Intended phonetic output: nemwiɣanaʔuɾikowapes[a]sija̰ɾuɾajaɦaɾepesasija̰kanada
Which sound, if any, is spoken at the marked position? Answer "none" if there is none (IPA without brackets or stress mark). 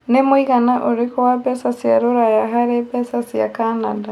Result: a